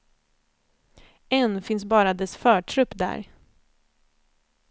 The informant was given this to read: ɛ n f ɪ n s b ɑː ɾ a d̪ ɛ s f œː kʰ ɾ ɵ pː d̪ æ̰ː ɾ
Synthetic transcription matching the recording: ɛ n f ɪ n s b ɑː ɾ a d̪ ɛ s f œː ʈʰ ɾ ɵ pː d̪ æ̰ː ɾ